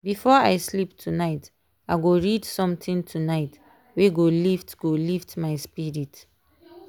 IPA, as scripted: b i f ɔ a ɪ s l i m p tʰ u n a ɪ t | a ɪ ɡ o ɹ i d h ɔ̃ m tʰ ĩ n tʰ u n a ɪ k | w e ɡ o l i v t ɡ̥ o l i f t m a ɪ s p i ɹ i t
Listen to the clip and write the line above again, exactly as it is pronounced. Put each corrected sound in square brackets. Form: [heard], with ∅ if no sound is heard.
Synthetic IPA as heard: b i f ɔ a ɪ s l i [∅] p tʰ u n a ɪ t | a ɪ ɡ o ɹ i d [s] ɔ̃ m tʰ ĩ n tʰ u n a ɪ [t] | w e ɡ o l i [f] t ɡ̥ o l i f t m a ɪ s p i ɹ i t